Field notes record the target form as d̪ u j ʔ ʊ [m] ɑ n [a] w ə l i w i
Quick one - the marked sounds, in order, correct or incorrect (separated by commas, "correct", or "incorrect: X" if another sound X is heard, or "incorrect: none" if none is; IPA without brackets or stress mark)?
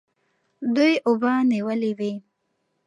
incorrect: b, incorrect: i